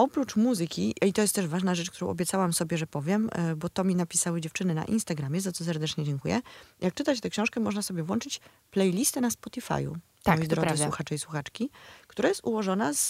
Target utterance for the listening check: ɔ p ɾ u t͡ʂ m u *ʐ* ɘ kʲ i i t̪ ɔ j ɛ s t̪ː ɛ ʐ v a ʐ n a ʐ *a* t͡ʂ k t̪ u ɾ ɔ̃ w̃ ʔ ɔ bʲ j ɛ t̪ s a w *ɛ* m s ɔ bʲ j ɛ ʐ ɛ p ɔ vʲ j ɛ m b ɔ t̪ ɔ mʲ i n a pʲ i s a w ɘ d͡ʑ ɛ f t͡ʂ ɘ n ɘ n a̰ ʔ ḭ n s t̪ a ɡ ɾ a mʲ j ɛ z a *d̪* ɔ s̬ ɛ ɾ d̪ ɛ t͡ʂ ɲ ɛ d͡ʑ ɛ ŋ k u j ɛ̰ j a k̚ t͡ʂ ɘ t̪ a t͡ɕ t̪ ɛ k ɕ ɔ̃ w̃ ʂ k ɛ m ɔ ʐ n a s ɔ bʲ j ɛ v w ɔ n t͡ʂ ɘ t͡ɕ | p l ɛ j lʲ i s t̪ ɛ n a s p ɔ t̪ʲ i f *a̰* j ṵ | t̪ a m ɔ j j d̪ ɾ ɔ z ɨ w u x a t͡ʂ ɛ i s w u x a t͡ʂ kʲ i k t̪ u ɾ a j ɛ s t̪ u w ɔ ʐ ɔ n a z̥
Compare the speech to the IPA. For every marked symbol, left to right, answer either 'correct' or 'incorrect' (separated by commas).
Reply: incorrect, incorrect, incorrect, incorrect, correct